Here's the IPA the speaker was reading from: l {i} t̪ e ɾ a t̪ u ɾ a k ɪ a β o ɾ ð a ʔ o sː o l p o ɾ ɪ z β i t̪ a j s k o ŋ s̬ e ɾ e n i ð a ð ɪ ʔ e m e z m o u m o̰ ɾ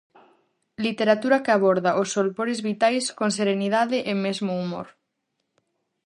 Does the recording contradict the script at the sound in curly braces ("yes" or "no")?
no